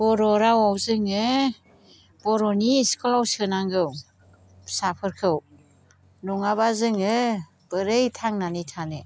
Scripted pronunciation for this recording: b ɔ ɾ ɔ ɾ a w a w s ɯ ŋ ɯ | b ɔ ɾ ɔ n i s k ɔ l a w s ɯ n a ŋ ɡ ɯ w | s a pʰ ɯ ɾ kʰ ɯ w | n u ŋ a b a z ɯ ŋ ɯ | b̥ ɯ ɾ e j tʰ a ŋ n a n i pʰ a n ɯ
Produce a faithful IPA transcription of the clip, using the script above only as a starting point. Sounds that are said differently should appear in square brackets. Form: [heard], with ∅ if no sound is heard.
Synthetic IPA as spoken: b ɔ ɾ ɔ ɾ a w a w [z] ɯ ŋ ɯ | b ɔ ɾ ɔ n i s k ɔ l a w s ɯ n a ŋ ɡ ɯ w | s a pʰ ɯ ɾ kʰ ɯ w | n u ŋ a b a z ɯ ŋ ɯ | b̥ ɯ ɾ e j tʰ a ŋ n a n i [tʰ] a n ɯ